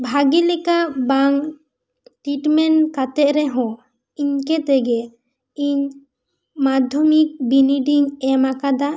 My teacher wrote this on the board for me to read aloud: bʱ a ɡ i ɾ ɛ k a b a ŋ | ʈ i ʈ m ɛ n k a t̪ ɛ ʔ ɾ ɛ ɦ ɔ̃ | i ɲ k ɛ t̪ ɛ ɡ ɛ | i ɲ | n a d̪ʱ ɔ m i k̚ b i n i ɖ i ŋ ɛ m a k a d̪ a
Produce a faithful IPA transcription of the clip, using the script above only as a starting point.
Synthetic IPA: bʱ a ɡ i l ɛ k a b a ŋ | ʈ i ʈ m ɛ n k a t̪ ɛ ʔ ɾ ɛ ɦ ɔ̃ | i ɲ k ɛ t̪ ɛ ɡ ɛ | i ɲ | m a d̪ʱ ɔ m i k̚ b i n i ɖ i ŋ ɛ m a k a d̪ a